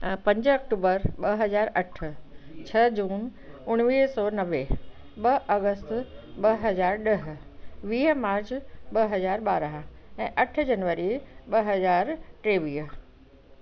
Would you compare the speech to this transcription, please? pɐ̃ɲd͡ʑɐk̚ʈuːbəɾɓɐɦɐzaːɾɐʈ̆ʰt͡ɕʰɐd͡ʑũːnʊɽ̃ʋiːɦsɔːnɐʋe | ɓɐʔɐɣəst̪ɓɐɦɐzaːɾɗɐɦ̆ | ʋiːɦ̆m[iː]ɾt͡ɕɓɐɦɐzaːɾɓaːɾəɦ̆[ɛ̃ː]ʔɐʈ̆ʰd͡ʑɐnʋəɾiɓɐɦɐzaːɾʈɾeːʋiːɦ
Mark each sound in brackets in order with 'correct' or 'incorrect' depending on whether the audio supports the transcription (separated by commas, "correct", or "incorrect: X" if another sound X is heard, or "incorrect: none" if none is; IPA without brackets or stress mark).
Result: incorrect: aː, correct